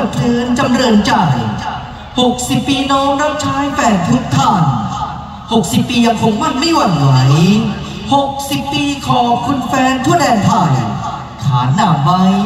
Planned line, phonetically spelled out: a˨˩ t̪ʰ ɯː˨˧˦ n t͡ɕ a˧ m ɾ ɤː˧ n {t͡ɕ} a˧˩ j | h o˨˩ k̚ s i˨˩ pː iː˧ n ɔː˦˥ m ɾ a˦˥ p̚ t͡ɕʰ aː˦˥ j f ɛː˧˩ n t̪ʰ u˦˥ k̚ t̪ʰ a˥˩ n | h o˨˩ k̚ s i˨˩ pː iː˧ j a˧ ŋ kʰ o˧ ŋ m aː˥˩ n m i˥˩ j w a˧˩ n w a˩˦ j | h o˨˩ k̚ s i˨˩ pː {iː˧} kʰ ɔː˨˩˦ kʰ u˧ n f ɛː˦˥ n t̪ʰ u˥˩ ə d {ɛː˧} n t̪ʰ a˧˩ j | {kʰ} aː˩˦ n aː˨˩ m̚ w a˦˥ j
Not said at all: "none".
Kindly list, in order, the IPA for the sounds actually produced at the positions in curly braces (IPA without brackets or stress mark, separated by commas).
t͡ɕ, iː˧, ɛː˧, kʰ